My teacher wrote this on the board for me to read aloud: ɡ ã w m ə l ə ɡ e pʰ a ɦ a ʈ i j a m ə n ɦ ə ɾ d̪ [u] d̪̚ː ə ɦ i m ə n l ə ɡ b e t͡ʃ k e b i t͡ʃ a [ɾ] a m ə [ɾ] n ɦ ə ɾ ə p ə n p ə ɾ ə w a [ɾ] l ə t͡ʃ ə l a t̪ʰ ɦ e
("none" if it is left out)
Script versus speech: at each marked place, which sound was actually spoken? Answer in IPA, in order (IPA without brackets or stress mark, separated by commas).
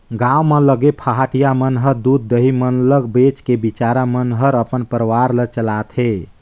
u, ɾ, none, ɾ